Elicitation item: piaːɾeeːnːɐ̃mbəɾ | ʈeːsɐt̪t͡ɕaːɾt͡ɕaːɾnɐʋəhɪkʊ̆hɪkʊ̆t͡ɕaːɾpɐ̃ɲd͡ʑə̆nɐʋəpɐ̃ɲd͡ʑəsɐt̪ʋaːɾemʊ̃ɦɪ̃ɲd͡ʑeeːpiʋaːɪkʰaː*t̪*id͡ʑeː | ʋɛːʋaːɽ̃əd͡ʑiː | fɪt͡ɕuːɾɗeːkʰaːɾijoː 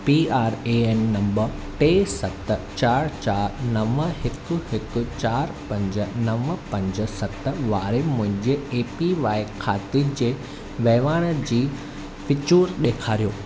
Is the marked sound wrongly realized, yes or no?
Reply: no